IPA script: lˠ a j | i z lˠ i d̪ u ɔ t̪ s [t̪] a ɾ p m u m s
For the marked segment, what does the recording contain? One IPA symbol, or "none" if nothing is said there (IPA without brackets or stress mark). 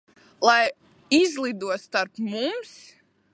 t̪